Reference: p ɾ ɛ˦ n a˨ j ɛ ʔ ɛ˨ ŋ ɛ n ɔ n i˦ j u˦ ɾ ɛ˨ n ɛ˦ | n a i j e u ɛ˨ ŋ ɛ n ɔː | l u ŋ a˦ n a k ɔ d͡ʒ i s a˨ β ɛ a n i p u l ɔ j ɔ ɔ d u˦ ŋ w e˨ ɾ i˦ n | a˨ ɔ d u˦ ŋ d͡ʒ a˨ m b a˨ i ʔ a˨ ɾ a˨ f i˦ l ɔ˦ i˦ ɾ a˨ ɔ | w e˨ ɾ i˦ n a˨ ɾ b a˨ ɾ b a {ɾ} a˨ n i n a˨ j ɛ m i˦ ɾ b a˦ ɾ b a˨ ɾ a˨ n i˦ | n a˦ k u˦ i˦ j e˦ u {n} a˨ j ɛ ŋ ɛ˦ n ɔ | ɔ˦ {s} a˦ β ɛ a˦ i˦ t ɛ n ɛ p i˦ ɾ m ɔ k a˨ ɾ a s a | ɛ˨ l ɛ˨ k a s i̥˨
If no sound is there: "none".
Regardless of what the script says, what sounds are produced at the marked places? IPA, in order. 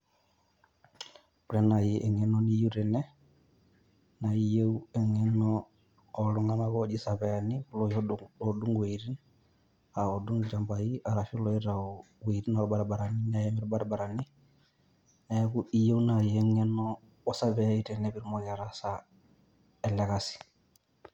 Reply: ɾ, n, s

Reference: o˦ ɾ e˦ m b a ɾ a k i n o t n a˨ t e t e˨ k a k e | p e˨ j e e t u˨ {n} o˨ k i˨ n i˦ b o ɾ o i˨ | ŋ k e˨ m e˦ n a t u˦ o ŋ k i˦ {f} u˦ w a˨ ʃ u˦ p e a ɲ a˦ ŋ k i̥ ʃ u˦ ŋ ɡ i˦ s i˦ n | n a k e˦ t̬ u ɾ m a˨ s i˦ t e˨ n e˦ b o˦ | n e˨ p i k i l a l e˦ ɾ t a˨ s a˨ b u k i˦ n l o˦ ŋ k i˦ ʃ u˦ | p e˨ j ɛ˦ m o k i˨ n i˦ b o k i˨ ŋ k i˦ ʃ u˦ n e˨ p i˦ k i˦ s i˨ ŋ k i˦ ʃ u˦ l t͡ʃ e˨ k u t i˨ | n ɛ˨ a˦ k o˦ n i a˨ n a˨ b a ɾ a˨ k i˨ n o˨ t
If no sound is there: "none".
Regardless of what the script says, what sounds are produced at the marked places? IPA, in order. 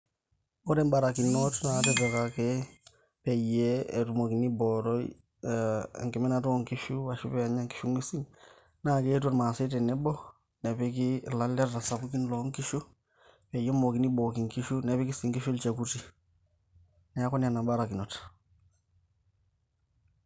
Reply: m, ʃ

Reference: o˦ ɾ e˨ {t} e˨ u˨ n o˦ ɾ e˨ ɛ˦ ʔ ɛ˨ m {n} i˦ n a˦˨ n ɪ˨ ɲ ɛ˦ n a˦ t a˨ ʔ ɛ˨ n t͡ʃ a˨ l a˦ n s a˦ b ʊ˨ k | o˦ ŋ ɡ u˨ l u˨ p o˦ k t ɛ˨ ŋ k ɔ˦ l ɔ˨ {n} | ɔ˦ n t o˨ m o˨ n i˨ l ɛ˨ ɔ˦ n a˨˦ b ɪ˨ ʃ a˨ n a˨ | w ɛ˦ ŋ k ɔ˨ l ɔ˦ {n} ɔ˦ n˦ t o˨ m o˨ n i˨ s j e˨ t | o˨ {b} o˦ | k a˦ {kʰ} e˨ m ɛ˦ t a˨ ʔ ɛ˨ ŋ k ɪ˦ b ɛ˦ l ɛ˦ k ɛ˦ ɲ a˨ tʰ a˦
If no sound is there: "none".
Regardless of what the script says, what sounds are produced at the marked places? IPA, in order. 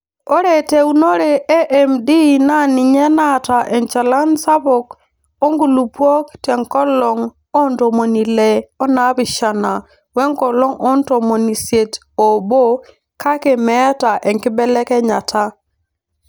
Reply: t, d, ŋ, ŋ, b, k

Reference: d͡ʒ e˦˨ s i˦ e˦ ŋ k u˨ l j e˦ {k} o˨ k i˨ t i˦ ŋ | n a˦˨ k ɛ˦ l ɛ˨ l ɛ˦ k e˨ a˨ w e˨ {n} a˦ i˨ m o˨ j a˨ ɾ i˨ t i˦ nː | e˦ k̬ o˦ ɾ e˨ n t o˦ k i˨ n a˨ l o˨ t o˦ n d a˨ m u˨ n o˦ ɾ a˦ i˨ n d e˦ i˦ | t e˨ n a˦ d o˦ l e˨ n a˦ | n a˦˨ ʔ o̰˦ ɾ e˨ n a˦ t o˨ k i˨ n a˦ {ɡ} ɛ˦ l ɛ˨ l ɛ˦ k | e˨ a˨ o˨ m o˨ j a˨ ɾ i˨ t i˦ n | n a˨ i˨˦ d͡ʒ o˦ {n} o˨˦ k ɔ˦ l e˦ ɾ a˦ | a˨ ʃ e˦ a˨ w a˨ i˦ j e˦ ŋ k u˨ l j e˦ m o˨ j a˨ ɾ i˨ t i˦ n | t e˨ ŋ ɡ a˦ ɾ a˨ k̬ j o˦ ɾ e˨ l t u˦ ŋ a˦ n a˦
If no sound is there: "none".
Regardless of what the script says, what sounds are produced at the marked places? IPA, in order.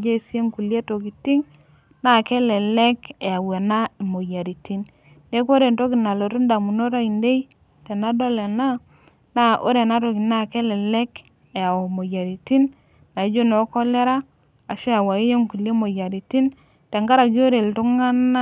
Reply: t, n, k, n

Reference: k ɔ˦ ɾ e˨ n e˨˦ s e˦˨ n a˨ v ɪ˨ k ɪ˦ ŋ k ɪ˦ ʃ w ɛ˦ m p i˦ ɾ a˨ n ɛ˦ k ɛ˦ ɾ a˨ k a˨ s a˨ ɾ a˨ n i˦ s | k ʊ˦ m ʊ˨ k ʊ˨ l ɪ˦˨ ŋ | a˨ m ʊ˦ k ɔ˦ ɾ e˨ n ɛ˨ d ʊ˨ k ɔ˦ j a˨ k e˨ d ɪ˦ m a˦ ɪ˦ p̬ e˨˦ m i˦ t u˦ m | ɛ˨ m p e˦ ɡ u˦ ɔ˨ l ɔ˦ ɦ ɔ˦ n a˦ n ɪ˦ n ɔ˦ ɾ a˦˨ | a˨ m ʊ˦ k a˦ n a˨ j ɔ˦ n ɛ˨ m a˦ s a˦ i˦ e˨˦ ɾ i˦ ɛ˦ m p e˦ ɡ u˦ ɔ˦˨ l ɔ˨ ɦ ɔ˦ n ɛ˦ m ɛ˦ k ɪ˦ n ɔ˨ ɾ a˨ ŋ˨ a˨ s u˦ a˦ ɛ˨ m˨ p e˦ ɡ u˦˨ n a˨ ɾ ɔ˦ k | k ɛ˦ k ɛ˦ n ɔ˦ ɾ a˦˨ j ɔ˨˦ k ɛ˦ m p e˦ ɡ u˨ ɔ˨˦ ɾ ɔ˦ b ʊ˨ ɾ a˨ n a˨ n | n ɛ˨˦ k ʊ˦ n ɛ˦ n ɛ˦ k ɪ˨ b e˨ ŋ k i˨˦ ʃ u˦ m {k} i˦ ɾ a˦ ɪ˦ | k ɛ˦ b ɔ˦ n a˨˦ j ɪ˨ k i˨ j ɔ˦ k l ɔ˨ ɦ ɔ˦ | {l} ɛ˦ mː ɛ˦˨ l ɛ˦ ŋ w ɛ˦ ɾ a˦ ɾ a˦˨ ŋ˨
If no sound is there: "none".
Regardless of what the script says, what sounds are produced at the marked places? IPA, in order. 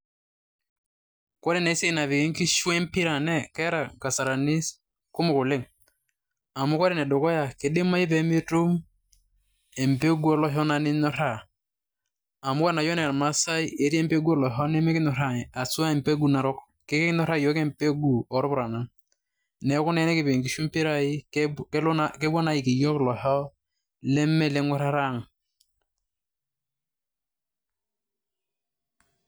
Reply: p, l

